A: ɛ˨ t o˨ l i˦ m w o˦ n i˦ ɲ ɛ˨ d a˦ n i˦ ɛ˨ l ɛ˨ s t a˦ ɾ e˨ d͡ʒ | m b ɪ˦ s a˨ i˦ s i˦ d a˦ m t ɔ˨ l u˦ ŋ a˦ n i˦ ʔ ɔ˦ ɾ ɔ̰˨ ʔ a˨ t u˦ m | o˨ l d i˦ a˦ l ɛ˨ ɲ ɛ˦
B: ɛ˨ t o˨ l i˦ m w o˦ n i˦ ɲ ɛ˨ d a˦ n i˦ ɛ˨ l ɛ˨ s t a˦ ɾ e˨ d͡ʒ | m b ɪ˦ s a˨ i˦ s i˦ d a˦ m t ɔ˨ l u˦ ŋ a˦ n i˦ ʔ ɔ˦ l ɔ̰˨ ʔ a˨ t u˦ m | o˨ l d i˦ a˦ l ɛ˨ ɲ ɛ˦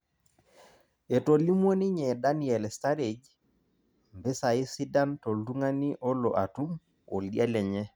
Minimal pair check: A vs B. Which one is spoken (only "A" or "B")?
B